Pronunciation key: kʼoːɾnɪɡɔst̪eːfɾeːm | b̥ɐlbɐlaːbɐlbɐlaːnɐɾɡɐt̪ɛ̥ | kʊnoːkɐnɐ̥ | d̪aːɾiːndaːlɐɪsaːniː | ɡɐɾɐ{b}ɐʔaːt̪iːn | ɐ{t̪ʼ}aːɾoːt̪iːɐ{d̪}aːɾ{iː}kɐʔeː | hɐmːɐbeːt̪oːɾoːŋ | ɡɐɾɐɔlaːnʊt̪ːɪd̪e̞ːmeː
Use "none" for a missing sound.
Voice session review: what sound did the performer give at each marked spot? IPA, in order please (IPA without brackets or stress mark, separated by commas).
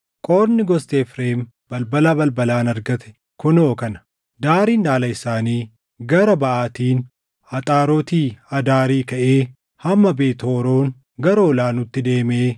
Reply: b, t̪ʼ, d̪, iː